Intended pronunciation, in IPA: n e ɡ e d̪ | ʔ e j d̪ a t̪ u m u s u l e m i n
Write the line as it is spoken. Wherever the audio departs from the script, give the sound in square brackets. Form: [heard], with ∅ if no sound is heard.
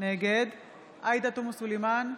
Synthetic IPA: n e ɡ e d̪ | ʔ [a] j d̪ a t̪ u m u s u l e m [a] n